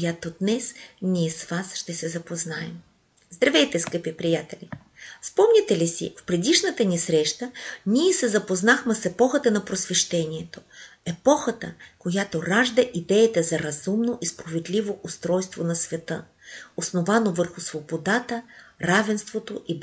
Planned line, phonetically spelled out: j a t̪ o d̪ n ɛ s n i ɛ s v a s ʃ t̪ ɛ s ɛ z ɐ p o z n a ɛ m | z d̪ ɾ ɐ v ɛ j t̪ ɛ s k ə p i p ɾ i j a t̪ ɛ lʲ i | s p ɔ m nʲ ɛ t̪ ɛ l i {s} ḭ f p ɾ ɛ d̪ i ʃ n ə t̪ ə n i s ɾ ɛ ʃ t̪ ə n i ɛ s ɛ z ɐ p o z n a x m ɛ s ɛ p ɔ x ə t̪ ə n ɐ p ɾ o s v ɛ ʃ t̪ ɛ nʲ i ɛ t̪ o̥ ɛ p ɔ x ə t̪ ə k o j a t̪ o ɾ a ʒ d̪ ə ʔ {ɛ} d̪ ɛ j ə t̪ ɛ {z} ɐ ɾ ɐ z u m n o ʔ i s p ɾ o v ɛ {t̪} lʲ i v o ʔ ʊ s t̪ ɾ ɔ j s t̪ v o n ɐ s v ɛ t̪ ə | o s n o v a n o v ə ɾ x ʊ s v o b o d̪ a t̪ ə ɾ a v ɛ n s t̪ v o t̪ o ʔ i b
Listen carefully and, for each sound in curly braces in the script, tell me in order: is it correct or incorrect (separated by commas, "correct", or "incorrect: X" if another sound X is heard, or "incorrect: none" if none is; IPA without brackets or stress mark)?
correct, incorrect: i, correct, incorrect: d̪